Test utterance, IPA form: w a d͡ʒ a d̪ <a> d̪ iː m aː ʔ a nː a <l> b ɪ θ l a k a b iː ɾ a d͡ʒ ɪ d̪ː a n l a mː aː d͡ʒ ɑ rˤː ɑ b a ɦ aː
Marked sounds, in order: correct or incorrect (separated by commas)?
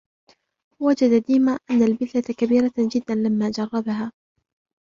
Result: correct, correct